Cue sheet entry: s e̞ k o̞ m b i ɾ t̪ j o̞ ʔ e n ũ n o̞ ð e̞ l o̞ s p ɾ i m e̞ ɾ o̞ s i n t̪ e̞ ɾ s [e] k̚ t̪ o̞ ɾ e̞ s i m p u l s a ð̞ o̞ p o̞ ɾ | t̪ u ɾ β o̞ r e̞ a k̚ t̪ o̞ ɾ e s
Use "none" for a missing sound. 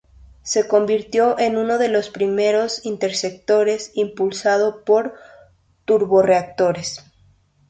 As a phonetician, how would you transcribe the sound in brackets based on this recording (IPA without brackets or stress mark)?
e